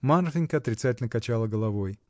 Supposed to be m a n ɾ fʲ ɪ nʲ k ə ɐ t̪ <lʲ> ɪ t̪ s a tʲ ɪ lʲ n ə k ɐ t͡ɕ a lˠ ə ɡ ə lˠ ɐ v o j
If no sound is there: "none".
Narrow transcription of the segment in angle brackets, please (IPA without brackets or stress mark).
ɾʲ